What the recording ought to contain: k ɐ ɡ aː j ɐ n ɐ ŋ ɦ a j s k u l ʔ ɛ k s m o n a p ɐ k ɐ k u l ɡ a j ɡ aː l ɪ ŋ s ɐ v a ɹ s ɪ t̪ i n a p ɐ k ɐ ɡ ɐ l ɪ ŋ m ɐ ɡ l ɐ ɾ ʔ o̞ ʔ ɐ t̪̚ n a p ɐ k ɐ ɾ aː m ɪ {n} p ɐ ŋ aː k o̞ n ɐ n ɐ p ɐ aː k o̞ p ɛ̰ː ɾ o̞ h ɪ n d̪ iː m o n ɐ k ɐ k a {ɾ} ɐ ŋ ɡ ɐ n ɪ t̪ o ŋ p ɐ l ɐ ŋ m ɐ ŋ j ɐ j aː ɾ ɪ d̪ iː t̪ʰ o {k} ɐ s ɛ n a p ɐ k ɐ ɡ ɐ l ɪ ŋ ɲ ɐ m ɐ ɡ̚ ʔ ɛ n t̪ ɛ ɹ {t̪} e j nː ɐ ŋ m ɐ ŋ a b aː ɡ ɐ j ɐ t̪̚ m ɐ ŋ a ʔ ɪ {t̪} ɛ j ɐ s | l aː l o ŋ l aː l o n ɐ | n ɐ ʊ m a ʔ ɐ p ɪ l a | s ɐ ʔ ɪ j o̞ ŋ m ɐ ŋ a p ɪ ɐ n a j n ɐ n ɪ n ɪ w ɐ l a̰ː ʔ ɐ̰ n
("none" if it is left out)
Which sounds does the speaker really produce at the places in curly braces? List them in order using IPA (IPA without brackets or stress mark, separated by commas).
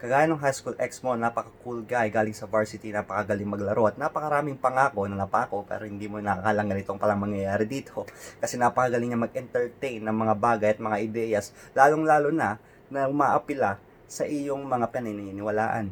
ŋ, l, k, t̪, d̪